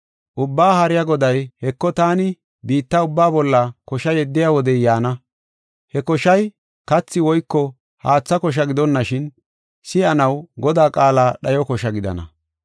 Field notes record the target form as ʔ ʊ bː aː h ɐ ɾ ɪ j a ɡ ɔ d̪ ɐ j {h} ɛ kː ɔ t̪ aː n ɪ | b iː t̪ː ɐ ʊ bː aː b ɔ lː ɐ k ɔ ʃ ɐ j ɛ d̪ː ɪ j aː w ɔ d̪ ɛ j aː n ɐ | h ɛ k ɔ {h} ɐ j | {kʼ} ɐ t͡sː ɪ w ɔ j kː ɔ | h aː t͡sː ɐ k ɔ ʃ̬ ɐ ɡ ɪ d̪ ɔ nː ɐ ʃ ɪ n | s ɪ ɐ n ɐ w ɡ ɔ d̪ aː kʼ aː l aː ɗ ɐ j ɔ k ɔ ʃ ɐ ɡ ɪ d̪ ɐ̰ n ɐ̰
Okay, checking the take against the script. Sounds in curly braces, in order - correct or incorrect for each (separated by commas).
correct, incorrect, incorrect